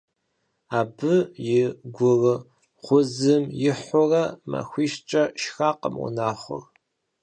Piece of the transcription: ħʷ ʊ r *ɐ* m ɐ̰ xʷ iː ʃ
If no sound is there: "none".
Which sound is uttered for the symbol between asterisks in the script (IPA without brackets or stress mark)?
ɐ